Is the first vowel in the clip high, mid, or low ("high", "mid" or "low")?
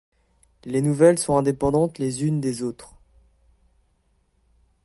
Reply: mid